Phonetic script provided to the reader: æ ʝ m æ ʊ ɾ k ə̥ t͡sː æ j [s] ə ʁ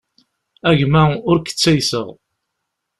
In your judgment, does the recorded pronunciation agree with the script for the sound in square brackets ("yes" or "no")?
yes